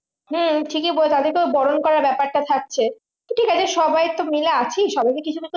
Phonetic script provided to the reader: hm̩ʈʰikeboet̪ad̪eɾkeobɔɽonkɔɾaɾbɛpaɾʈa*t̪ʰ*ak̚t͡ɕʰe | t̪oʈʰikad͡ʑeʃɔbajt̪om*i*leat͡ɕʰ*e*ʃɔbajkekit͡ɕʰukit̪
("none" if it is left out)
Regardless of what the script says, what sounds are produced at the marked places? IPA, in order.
t̪ʰ, i, i

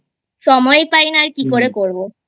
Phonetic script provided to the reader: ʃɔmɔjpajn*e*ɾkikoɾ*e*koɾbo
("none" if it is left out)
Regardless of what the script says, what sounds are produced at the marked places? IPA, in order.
a, e

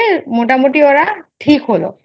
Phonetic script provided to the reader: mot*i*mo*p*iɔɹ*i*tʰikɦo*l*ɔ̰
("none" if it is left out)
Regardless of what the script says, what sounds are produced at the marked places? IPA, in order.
a, t, a, l

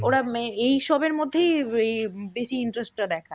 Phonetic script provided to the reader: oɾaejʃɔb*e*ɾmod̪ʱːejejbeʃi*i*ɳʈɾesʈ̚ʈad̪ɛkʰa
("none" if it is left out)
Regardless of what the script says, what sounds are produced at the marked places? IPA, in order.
e, i

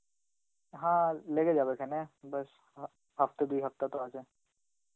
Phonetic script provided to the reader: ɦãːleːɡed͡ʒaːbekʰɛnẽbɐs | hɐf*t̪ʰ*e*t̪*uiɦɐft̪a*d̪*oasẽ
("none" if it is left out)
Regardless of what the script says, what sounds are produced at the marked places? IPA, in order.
t̪, d̪, t̪

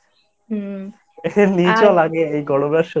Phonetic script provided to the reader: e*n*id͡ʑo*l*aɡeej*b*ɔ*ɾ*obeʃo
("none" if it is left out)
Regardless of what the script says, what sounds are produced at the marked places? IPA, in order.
n, l, ɡ, ɽ

